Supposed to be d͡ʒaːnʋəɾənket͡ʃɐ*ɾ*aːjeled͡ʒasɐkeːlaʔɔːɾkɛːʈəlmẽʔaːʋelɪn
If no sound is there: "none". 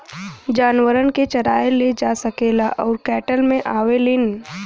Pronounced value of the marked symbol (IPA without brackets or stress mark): ɾ